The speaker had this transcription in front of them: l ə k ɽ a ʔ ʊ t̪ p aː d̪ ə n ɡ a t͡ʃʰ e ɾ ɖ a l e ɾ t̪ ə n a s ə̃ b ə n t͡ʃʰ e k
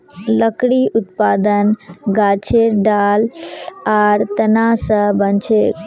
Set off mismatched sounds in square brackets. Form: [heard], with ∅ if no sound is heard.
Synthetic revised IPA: l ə k ɽ [i] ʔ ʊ t̪ p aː d̪ ə n ɡ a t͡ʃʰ e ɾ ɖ a l [a] ɾ t̪ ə n a s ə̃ b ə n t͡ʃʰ e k